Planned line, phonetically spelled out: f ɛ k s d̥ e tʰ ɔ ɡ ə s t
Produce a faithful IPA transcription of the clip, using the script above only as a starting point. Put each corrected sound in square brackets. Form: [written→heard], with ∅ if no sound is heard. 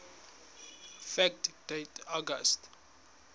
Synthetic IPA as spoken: f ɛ k [s→t] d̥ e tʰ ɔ ɡ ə s t